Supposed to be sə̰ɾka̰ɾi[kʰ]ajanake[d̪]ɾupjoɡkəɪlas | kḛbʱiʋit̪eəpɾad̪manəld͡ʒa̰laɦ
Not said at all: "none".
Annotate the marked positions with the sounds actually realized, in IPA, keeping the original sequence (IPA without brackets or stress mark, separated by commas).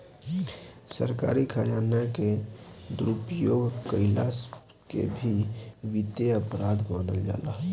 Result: kʰ, d̪